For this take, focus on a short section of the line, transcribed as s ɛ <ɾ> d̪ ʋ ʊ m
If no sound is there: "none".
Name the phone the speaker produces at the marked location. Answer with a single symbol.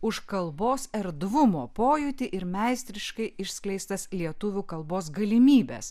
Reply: ɾ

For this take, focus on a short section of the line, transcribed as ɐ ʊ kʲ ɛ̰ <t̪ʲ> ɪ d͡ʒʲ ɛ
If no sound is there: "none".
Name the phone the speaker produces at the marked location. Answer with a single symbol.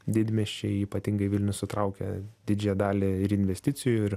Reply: d̪ʲ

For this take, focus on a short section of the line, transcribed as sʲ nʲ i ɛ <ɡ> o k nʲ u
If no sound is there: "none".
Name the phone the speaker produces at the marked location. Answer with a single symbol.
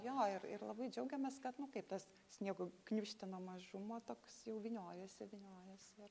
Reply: ɡ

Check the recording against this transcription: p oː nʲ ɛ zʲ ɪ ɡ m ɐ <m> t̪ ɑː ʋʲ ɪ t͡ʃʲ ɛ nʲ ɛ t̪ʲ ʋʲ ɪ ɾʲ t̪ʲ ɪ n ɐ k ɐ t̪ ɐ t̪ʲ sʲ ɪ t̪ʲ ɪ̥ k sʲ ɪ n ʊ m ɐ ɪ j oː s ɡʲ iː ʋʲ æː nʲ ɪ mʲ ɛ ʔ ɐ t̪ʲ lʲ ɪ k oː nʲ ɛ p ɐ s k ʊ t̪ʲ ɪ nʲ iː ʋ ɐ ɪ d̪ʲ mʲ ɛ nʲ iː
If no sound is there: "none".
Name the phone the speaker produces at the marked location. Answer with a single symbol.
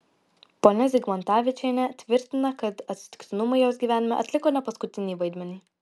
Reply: n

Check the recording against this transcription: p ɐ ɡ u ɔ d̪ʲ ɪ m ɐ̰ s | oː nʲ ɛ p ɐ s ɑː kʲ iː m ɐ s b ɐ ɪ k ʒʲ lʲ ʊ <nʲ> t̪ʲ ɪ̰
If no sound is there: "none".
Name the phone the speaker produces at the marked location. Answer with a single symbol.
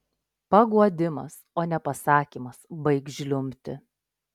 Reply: mʲ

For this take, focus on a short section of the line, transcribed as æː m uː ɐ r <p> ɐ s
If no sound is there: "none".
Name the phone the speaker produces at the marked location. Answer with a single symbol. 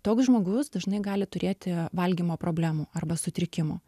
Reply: b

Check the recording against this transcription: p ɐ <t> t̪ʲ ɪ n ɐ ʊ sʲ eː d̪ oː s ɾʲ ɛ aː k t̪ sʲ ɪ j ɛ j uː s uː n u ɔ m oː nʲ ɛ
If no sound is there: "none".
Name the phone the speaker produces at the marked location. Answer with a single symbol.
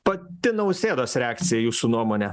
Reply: t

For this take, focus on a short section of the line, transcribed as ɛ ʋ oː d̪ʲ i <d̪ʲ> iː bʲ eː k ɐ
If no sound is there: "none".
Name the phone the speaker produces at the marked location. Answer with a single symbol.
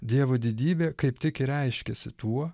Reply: d̪ʲ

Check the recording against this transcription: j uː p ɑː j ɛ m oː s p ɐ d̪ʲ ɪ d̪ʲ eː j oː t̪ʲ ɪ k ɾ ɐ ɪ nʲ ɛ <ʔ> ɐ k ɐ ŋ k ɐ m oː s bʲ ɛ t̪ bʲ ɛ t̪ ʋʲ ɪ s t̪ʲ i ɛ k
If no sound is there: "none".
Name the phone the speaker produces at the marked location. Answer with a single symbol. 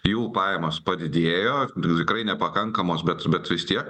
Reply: p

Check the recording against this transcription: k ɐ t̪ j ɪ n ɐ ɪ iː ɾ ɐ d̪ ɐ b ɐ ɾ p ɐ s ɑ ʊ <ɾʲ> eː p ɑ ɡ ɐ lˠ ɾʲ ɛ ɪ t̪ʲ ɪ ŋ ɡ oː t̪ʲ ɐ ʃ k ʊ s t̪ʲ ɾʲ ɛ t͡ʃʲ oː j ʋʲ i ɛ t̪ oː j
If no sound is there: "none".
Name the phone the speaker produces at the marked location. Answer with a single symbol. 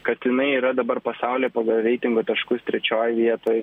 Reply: lʲ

